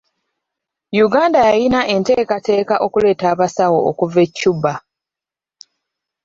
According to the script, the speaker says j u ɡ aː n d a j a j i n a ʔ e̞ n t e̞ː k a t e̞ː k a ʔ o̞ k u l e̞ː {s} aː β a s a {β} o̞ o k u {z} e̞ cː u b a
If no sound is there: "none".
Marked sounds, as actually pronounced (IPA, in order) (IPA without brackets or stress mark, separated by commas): t, w, v